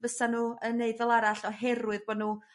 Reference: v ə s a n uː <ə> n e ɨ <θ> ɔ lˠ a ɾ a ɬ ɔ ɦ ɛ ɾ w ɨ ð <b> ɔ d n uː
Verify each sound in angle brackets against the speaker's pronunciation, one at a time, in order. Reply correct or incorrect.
correct, incorrect: ð, correct

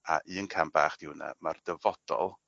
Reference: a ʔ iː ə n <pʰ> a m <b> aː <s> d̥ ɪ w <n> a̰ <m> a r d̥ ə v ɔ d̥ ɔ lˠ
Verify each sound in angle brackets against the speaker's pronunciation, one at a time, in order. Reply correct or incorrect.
incorrect: kʰ, correct, incorrect: χ, correct, correct

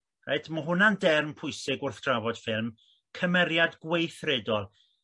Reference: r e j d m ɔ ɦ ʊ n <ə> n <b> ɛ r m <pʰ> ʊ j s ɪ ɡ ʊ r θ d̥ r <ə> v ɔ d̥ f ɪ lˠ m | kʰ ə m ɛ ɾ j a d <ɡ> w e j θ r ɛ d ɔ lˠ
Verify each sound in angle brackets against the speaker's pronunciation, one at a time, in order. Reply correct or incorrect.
incorrect: a, incorrect: d, correct, incorrect: a, correct

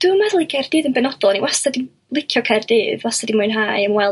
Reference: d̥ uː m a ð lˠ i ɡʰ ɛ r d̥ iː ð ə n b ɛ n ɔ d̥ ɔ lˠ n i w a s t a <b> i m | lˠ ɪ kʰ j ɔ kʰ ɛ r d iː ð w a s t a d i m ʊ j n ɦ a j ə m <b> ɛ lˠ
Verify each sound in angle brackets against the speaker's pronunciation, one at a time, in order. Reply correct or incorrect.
incorrect: d, incorrect: w

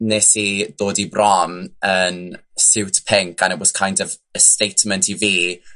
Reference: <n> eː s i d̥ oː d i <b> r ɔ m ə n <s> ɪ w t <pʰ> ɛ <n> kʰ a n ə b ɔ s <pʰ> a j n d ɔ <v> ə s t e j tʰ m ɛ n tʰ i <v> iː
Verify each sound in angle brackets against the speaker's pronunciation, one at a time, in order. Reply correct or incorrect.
correct, correct, correct, correct, incorrect: ŋ, incorrect: kʰ, correct, correct

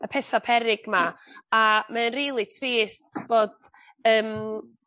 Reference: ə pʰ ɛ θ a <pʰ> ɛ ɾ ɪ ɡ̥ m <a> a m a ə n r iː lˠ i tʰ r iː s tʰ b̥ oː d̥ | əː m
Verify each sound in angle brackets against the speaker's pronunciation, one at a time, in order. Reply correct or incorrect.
correct, correct

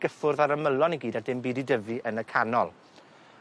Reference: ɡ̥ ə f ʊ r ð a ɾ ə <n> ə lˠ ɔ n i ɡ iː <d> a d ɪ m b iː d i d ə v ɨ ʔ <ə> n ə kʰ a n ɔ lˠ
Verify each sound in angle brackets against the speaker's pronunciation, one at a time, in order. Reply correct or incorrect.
incorrect: m, correct, correct

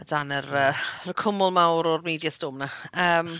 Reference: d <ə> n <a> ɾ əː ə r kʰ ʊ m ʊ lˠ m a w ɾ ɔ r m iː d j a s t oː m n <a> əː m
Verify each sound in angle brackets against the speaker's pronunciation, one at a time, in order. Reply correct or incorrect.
incorrect: a, incorrect: ə, correct

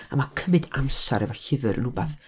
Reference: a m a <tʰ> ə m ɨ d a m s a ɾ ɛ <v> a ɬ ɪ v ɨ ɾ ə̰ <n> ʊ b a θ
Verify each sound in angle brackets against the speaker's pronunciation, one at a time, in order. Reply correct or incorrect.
incorrect: kʰ, correct, correct

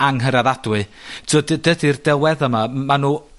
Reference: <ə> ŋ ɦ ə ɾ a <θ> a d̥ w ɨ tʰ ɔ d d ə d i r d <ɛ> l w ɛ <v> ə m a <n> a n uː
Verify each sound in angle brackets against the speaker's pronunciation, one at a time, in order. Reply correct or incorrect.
incorrect: a, incorrect: ð, correct, incorrect: ð, incorrect: m

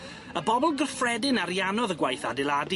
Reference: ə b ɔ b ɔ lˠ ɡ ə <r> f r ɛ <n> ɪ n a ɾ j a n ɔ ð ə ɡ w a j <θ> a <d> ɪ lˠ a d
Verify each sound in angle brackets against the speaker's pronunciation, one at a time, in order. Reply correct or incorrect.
correct, incorrect: d, correct, correct

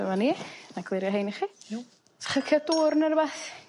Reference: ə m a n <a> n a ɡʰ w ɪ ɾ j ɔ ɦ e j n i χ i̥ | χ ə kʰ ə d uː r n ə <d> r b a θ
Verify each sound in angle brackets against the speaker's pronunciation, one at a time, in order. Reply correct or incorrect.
incorrect: i, incorrect: none

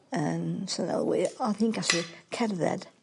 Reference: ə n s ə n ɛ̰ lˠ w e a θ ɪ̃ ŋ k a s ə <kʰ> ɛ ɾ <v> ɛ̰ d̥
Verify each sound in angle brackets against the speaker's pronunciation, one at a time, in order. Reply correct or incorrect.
correct, incorrect: ð

